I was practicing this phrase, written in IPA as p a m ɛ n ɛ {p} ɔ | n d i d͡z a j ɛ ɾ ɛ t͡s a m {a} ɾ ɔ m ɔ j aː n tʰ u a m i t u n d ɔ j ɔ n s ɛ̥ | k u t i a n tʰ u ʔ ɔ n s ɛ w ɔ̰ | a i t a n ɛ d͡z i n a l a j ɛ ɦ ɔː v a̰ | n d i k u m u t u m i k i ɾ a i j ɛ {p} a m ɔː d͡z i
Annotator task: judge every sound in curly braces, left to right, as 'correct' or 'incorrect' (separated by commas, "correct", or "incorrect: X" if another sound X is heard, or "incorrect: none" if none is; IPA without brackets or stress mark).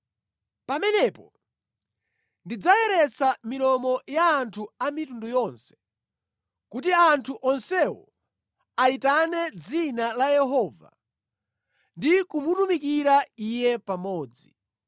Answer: correct, incorrect: i, correct